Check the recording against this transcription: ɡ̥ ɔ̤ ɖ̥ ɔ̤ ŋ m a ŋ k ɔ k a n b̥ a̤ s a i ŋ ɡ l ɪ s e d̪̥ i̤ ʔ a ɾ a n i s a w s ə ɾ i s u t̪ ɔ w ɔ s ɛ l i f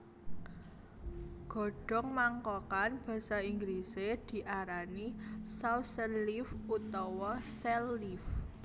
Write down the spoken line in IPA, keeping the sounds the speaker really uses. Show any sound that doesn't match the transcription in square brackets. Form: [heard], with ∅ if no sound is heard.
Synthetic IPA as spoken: ɡ̥ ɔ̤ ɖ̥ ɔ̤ ŋ m a ŋ k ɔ k a n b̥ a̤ s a i ŋ ɡ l [i] s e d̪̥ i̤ ʔ a ɾ a n i s a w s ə [l] i [f] u t̪ ɔ w ɔ s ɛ l i f

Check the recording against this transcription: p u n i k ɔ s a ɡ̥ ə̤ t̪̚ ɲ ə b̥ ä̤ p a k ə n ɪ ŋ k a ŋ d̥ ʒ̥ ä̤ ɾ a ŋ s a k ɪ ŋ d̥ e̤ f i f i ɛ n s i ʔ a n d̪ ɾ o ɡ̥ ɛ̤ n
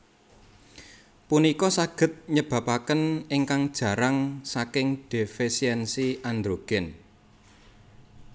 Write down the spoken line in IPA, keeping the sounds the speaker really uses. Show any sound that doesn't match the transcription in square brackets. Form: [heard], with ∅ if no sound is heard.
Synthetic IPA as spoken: p u n i k ɔ s a ɡ̥ ə̤ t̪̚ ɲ ə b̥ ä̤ p a k ə n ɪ ŋ k a ŋ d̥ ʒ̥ ä̤ ɾ a ŋ s a k ɪ ŋ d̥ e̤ f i [s] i ɛ n s i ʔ a n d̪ ɾ o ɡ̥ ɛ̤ n

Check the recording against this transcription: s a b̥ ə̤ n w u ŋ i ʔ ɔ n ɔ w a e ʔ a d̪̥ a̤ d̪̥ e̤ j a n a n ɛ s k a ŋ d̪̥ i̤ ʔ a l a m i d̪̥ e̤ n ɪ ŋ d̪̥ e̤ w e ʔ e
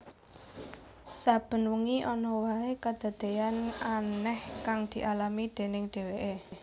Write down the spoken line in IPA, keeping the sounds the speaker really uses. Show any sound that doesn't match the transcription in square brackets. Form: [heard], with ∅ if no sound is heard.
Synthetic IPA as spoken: s a b̥ ə̤ n w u ŋ i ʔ ɔ n ɔ w a e [k] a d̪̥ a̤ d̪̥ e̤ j a n a n ɛ [h] k a ŋ d̪̥ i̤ ʔ a l a m i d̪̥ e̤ n ɪ ŋ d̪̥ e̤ w e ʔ e

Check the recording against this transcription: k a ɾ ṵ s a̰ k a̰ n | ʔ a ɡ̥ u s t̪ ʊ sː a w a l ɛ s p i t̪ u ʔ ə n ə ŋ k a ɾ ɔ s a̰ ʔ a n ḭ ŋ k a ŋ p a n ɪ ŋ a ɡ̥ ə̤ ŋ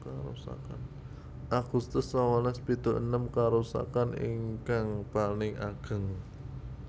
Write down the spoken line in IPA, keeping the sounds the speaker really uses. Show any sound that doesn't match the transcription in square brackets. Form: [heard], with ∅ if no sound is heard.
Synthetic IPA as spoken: k a ɾ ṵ s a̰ k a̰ n | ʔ a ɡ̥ u s t̪ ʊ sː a w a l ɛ s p i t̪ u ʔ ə n ə [m] k a ɾ [u] s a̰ [k] a n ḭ ŋ k a ŋ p a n ɪ ŋ a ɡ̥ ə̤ ŋ

